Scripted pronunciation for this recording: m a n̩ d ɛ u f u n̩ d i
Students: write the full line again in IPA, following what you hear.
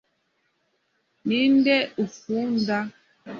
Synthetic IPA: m i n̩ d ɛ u f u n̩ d a